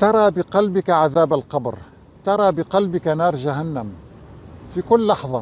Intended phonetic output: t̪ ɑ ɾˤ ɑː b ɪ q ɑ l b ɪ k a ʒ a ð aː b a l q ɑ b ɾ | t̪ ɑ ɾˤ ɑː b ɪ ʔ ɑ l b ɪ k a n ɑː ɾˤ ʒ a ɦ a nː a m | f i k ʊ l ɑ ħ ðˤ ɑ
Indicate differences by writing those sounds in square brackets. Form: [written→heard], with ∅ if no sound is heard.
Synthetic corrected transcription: t̪ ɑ ɾˤ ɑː b ɪ q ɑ l b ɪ k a [ʒ→ʕ] a ð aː b a l q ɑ b ɾ | t̪ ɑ ɾˤ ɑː b ɪ [ʔ→q] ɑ l b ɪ k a n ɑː ɾˤ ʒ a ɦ a nː a m | f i k ʊ [l→lː] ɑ ħ ðˤ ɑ